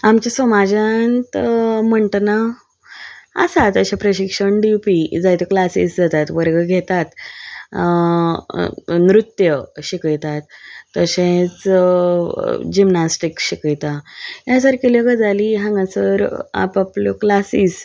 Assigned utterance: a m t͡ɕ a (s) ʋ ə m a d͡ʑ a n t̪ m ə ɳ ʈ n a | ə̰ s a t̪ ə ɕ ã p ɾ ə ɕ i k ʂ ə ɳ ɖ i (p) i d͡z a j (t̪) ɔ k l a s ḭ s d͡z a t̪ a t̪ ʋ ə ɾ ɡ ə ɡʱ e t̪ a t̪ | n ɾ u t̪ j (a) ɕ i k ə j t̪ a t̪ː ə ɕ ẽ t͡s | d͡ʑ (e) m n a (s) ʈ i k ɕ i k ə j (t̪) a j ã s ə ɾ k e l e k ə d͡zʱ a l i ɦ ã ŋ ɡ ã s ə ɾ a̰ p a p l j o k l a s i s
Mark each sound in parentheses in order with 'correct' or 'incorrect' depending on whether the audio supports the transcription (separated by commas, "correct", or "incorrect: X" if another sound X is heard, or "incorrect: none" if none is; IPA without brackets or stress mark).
correct, correct, correct, incorrect: ə, incorrect: i, correct, correct